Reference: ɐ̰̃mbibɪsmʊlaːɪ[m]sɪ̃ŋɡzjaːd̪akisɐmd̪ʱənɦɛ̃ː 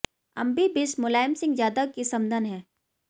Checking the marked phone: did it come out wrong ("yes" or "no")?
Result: no